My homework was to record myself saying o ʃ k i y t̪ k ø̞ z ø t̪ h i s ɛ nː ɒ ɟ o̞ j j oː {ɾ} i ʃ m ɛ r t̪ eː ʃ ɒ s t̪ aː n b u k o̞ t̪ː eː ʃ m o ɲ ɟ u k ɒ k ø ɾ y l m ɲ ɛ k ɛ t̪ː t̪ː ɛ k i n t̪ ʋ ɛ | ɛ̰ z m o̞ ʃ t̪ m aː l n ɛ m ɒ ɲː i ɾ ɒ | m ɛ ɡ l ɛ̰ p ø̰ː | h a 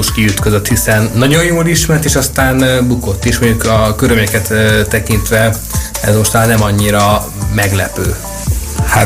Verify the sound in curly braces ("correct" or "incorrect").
incorrect